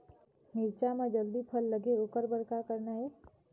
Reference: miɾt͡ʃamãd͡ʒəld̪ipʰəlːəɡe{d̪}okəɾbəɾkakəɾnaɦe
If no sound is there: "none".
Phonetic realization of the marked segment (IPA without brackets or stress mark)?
none